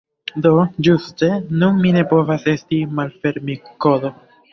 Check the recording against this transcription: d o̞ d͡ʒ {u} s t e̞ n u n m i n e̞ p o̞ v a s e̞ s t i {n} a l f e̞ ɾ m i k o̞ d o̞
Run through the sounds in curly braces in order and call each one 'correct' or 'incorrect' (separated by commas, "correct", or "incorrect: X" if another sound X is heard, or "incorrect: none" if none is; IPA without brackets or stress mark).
correct, incorrect: m